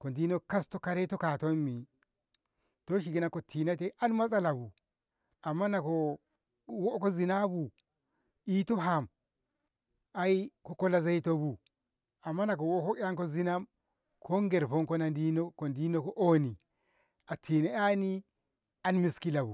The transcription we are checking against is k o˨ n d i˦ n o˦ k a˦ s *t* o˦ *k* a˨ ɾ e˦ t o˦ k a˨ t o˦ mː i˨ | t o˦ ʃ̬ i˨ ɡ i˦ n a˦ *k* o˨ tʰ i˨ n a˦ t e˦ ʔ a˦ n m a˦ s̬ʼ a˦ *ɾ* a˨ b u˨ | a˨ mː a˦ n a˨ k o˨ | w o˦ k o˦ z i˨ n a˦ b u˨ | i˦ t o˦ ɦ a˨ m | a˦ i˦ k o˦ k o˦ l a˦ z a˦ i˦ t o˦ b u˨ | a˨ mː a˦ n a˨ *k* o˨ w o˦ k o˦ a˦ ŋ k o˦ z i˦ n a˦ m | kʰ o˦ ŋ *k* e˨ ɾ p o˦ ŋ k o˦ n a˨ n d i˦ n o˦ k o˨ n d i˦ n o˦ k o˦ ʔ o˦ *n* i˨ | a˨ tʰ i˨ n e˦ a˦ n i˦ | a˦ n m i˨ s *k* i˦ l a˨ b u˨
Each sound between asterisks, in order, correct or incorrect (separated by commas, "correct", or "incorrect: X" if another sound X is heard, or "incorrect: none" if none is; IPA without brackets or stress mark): correct, correct, correct, incorrect: l, correct, incorrect: ɡ, correct, correct